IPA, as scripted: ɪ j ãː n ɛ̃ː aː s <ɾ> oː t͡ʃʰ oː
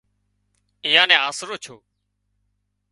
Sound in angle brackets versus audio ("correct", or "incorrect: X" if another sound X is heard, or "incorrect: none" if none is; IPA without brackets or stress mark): correct